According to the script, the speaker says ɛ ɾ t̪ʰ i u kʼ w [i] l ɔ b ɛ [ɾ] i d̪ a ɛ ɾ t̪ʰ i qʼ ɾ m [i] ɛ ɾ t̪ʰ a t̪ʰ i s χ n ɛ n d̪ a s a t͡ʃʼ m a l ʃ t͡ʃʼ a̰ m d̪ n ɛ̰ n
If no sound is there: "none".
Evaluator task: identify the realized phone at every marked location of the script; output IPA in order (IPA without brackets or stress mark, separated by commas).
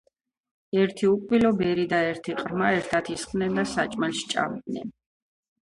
i, ɾ, a